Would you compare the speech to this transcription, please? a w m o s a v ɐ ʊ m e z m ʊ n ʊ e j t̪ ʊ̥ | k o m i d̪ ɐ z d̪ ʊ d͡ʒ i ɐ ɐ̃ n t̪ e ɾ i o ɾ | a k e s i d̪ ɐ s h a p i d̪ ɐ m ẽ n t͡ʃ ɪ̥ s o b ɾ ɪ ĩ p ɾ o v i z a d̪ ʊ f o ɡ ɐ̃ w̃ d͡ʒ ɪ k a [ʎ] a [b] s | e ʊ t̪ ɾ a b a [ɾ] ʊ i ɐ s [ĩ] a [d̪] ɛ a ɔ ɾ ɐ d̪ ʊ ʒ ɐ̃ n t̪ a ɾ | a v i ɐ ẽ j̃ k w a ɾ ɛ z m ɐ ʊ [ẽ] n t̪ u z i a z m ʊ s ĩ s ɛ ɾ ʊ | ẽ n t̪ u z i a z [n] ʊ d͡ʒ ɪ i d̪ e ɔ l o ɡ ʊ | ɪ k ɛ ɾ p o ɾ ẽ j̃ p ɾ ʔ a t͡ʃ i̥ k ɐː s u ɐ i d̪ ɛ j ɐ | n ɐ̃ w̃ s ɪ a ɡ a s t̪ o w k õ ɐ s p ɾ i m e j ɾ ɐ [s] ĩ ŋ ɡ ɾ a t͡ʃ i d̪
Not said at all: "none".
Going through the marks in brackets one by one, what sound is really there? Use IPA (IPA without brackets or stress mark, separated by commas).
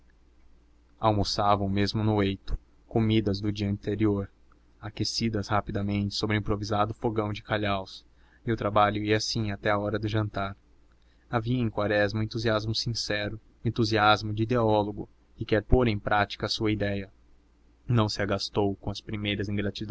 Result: ʎ, w, ʎ, ĩ, t̪, ẽ, m, z